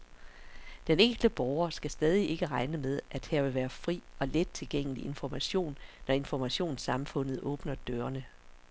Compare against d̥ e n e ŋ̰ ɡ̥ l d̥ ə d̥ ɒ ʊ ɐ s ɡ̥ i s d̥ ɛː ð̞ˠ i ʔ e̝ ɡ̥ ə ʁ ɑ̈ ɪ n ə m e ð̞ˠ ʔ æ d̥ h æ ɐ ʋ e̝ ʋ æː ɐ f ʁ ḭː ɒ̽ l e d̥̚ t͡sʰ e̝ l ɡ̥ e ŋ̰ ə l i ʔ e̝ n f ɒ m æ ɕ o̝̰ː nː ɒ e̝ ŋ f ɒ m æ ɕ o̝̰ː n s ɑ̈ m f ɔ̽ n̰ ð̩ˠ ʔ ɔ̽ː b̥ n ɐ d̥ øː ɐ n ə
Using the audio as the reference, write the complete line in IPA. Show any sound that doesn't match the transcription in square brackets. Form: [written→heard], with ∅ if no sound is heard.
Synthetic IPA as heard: d̥ e n e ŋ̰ ɡ̥ l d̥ ə [d̥→b̥] ɒ ʊ ɐ s ɡ̥ [i→æ] s d̥ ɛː ð̞ˠ i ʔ e̝ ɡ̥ ə ʁ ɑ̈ ɪ n ə m e ð̞ˠ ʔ æ d̥ h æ ɐ ʋ e̝ ʋ æː ɐ f ʁ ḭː ɒ̽ l e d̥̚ t͡sʰ e̝ l ɡ̥ e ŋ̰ ə l i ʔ e̝ n f ɒ m æ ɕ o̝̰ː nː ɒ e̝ [ŋ→n] f ɒ m æ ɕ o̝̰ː n s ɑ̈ m f ɔ̽ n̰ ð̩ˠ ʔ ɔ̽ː b̥ n ɐ d̥ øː ɐ n ə